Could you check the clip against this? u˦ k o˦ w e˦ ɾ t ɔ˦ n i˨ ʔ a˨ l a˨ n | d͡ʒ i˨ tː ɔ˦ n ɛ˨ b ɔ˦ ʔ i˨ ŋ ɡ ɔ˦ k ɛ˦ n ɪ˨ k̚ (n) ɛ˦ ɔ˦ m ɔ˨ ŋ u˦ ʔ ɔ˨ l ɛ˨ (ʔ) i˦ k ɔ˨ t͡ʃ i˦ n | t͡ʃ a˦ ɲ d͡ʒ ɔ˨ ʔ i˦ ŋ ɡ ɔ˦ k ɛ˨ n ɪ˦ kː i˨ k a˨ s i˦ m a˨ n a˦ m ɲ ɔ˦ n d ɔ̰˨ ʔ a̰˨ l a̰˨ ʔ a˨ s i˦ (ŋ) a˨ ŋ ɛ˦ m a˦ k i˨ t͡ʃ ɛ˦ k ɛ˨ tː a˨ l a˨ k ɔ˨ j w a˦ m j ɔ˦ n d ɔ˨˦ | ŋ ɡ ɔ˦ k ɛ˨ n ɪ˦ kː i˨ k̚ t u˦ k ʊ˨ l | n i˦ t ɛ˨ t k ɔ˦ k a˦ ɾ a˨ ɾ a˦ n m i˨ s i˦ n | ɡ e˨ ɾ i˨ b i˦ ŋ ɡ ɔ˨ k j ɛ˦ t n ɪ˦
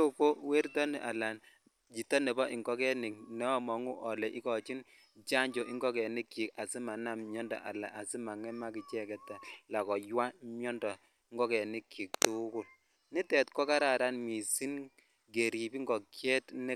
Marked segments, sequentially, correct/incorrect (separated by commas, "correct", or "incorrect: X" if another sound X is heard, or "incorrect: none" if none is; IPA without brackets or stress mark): correct, correct, incorrect: m